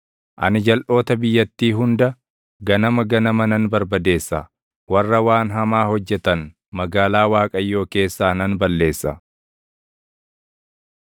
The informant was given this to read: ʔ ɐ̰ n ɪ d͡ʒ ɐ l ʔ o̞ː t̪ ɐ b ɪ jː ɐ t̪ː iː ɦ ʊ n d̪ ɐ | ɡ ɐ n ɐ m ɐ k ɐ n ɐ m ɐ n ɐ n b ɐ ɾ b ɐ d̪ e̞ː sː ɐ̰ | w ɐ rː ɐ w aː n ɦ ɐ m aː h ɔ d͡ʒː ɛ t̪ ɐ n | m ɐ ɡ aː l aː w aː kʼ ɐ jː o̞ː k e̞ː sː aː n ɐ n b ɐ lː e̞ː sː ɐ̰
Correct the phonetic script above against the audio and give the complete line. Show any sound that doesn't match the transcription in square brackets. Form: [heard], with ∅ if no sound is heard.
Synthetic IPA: ʔ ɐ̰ n ɪ d͡ʒ ɐ l ʔ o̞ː t̪ ɐ b ɪ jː ɐ t̪ː iː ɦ ʊ n d̪ ɐ | ɡ ɐ n ɐ m ɐ [ɡ] ɐ n ɐ m ɐ n ɐ n b ɐ ɾ b ɐ d̪ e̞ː sː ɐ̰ | w ɐ rː ɐ w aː n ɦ ɐ m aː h ɔ d͡ʒː ɛ t̪ ɐ n | m ɐ ɡ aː l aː w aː kʼ ɐ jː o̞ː k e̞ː sː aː n ɐ n b ɐ lː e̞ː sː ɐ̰